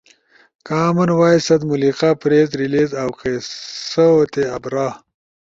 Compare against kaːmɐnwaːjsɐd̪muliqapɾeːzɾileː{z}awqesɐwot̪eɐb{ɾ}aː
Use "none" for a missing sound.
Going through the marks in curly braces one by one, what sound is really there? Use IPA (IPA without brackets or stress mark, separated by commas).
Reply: z, ɾ